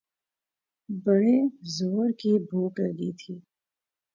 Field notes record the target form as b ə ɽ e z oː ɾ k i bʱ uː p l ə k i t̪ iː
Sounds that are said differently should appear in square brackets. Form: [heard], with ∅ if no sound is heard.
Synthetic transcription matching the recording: b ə ɽ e z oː ɾ k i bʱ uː [k] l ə [ɡ] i [t̪ʰ] iː